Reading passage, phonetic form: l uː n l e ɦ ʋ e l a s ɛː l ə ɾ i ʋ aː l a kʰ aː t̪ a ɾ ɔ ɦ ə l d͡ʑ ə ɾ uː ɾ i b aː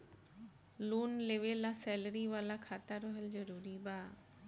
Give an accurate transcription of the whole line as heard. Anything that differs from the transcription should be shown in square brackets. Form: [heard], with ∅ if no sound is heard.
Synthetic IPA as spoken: l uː n l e [∅] ʋ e l a s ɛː l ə ɾ i ʋ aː l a kʰ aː t̪ a ɾ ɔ ɦ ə l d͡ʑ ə ɾ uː ɾ i b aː